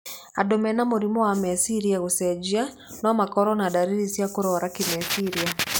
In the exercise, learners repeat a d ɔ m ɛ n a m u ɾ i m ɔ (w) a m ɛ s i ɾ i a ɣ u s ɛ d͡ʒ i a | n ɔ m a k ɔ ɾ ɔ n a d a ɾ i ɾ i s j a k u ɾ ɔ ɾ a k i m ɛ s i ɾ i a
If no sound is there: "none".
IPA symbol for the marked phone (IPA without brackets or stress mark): w